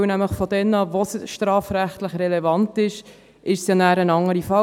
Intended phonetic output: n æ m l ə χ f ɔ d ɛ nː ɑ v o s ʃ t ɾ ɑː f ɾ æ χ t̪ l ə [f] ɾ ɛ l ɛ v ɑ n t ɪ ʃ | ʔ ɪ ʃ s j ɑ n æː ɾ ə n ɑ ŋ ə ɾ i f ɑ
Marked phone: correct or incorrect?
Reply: incorrect